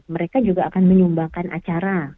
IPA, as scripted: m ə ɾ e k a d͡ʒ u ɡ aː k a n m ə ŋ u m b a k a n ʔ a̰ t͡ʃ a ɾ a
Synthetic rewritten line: m ə ɾ e k a d͡ʒ u ɡ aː k a n m ə ɲ u m b a k a n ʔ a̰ t͡ʃ a ɾ a

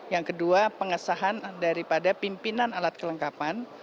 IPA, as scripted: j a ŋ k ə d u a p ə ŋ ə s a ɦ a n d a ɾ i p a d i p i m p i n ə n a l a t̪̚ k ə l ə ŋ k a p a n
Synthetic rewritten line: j a ŋ k ə d u a p ə ŋ ə s a ɦ a n d a ɾ i p a d a p i m p i n a n a l a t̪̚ k ə l ə ŋ k a p a n

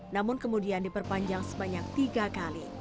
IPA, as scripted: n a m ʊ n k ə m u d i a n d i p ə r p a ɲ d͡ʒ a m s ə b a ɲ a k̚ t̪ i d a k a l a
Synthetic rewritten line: n a m ʊ n k ə m u d i a n d i p ə r p a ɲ d͡ʒ a ŋ s ə b a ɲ a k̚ t̪ i ɡ a k a l i

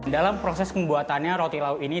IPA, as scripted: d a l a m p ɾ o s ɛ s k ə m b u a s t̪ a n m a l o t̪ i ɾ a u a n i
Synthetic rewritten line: d a l a m p ɾ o s ɛ s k ə m b u a t̪ a n ɲ a ɾ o t̪ i l a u i n i

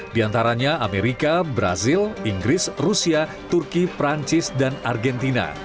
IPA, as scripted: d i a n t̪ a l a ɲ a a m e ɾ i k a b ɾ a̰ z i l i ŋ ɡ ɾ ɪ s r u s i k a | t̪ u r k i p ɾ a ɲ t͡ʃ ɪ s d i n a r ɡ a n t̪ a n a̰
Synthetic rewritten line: d i a n t̪ a ɾ a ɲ a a m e ɾ i k a b ɾ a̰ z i l i ŋ ɡ ɾ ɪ s r u s i a | t̪ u r k i p ɾ a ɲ t͡ʃ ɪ s d a n a r ɡ ɛ n t̪ i n a̰

